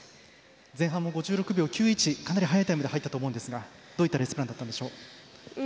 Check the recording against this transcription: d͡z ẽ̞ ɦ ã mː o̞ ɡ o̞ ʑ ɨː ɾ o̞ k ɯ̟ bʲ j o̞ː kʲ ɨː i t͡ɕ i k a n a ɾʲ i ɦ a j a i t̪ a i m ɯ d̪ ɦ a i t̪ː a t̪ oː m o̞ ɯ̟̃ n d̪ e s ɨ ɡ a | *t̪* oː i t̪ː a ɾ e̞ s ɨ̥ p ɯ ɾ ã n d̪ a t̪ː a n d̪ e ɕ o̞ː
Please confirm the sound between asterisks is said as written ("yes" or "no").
no